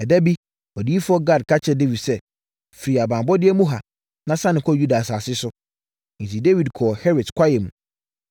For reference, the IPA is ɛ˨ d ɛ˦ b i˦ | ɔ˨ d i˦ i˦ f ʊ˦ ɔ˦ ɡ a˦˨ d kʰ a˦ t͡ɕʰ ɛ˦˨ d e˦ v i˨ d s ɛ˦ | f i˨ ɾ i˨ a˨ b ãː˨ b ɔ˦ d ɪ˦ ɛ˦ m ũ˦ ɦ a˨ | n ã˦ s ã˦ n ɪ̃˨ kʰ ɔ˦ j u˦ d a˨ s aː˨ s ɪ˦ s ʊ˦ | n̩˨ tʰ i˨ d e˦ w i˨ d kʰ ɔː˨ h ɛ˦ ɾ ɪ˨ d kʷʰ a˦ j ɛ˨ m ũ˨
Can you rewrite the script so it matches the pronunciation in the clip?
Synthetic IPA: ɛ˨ d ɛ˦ b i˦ | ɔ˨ d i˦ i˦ f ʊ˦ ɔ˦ ɡ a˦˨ d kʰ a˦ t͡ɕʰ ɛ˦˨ d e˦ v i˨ d s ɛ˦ | f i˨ ɾ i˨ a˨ b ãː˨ b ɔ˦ d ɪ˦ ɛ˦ m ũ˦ ɦ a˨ | n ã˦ s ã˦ n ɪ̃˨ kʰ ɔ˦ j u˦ d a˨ s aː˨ s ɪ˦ s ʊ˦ | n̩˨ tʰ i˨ d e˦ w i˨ d kʰ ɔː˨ h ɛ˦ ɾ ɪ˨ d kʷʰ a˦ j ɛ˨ m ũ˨